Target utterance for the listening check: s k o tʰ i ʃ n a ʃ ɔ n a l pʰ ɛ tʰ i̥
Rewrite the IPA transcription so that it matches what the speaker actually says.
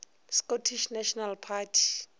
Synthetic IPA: s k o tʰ i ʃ n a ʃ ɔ n a l pʰ a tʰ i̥